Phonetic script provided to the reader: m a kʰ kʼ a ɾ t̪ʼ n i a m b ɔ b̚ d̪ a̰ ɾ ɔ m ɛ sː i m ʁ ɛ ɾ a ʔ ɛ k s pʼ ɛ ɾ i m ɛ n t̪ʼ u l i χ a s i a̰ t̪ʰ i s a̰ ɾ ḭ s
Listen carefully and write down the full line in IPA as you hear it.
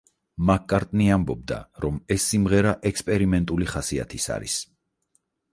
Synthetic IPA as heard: m a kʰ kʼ a ɾ t̪ʼ n i a m b ɔ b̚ d̪ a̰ ɾ ɔ m ɛ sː i m ʁ ɛ ɾ a ʔ ɛ k s pʼ ɛ ɾ i m ɛ n t̪ʼ u l i χ a s i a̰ t̪ʰ i s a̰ ɾ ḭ s